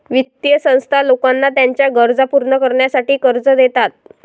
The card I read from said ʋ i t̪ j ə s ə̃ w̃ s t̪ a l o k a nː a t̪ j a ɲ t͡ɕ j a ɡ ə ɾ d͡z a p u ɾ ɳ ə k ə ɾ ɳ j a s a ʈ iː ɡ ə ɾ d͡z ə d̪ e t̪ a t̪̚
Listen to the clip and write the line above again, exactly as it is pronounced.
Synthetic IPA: ʋ i t̪ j ə s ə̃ w̃ s t̪ʰ a l o k a nː a t̪ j a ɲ t͡ɕ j a ɡ ə ɾ d͡z a p u ɾ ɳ ə k ə ɾ ɳ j a s a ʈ iː k ə ɾ d͡z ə d̪ e t̪ a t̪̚